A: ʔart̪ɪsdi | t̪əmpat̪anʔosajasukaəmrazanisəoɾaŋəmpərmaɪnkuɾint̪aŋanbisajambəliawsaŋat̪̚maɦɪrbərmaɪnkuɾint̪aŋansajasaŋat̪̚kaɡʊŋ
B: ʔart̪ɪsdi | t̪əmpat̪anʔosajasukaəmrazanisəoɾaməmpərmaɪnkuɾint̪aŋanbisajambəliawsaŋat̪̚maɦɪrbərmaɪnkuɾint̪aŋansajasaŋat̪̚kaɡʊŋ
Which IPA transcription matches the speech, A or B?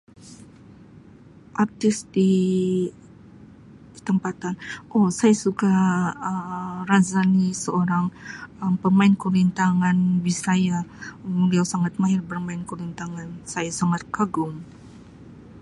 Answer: A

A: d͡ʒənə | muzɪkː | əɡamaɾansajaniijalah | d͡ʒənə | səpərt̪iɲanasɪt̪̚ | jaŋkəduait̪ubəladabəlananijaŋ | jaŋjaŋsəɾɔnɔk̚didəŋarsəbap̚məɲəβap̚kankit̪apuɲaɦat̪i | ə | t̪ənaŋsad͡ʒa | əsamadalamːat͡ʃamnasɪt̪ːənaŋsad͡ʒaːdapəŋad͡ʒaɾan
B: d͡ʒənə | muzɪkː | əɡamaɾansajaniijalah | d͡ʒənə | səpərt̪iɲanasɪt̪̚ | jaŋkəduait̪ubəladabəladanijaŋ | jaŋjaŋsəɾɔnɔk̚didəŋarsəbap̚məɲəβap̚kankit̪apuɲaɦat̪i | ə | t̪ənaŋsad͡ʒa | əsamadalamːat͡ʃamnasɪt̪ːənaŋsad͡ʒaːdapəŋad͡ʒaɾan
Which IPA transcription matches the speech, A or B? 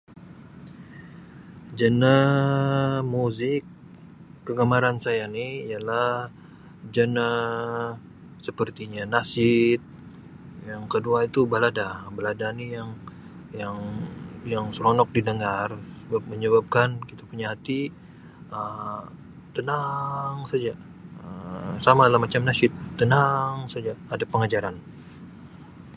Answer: B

